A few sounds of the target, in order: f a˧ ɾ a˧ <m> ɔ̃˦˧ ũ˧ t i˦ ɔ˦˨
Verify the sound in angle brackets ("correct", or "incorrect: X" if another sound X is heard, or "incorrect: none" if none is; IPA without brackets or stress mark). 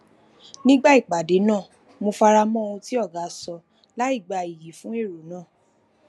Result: correct